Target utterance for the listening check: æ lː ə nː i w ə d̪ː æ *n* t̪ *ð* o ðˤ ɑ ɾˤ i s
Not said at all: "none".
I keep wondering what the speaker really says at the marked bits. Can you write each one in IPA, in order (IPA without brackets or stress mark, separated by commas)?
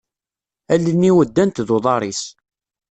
n, ð